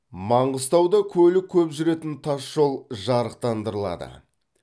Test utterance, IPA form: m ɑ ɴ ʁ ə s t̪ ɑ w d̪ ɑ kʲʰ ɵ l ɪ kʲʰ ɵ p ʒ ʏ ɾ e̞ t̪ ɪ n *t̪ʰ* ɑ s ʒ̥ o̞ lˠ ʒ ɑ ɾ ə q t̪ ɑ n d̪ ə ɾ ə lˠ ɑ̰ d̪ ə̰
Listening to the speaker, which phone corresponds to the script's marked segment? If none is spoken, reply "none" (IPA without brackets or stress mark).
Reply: t̪ʰ